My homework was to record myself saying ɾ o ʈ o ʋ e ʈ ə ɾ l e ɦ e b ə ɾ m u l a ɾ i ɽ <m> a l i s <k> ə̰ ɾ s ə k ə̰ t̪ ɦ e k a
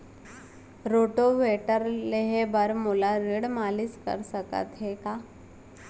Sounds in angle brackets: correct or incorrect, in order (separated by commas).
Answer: correct, correct